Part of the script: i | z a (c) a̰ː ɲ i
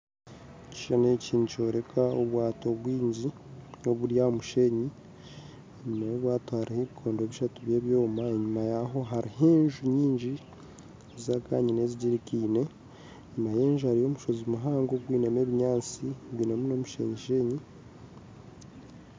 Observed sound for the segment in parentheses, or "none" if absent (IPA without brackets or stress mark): k